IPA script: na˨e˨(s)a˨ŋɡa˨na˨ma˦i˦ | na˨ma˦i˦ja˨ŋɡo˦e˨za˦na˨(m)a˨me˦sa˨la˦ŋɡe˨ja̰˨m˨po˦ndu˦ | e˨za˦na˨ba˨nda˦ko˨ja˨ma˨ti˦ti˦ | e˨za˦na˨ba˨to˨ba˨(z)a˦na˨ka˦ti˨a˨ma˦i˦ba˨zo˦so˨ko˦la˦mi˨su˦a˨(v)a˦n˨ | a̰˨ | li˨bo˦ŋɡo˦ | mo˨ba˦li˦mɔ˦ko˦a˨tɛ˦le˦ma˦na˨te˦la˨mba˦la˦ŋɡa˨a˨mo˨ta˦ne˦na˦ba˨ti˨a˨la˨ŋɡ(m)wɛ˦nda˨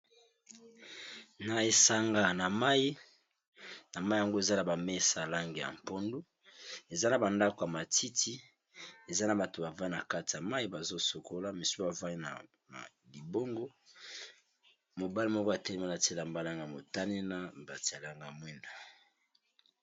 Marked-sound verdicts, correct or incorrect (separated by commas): correct, incorrect, incorrect, correct, correct